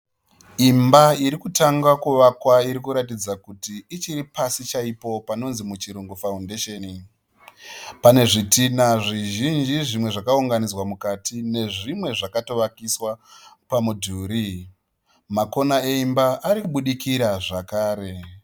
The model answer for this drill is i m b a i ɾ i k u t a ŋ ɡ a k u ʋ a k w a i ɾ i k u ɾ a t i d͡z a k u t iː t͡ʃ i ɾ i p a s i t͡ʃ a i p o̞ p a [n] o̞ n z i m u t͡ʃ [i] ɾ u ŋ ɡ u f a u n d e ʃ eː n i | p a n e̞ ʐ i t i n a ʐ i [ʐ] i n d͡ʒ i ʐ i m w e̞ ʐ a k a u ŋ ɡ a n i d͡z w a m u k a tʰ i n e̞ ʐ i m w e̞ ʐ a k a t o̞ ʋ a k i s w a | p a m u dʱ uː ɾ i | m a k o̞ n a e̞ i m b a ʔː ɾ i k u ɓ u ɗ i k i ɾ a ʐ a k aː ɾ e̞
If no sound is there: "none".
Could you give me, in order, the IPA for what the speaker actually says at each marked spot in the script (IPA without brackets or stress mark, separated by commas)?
n, i, ʒ